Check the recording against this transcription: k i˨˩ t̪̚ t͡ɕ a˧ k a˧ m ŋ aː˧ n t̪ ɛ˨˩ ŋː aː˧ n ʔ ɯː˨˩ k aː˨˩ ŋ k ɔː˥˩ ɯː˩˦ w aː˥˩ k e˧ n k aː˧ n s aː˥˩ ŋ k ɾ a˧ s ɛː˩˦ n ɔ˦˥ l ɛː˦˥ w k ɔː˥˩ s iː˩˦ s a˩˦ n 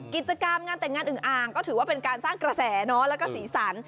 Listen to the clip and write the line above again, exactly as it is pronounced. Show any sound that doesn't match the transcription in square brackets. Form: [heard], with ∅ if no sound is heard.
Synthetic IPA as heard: k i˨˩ t̪̚ t͡ɕ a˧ k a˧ m ŋ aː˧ n t̪ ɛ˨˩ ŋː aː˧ n ʔ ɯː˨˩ [ʔ] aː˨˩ ŋ k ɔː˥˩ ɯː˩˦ w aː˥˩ [p] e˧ n k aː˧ n s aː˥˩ ŋ k ɾ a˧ s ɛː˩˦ n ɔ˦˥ l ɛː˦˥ w k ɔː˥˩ s iː˩˦ s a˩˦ n